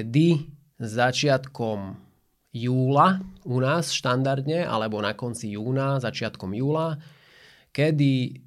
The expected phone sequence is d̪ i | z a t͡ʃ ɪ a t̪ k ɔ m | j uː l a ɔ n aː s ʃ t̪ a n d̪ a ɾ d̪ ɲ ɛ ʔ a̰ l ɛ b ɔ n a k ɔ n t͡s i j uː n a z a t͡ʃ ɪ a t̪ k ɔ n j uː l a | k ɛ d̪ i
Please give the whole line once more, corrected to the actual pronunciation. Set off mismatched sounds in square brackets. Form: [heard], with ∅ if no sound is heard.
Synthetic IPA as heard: d̪ i | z a t͡ʃ ɪ a t̪ k ɔ m | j uː l a [u] n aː s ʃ t̪ a n d̪ a ɾ d̪ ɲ ɛ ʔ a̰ l ɛ b ɔ n a k ɔ n t͡s i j uː n a z a t͡ʃ ɪ a t̪ k ɔ [m] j uː l a | k ɛ d̪ i